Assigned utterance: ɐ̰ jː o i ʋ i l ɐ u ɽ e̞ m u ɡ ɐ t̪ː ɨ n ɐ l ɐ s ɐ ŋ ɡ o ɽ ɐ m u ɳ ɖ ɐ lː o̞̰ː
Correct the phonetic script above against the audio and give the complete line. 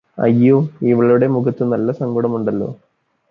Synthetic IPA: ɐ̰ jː o i ʋ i ɭ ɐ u ɽ e̞ m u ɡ ɐ t̪ː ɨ n ɐ lː ɐ s ɐ ŋ ɡ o ɽ ɐ m u ɳ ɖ ɐ lː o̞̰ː